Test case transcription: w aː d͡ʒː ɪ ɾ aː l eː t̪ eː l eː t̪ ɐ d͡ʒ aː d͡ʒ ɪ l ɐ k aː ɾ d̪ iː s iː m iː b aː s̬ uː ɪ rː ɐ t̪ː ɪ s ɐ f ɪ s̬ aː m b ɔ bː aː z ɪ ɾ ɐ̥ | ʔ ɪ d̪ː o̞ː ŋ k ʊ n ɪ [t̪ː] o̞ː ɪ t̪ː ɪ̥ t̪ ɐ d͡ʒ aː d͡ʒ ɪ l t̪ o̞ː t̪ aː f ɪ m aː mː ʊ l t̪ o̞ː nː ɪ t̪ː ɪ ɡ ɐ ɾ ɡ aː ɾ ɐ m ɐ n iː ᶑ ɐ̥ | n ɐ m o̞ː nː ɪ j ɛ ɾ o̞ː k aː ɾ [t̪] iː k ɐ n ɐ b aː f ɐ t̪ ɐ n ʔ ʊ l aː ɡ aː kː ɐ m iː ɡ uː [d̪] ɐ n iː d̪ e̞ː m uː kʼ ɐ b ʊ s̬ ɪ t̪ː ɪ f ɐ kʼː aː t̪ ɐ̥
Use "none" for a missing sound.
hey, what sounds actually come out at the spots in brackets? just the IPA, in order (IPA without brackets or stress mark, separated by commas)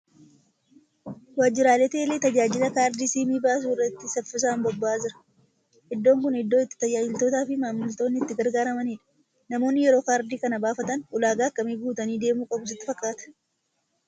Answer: d̪ː, d̪, t̪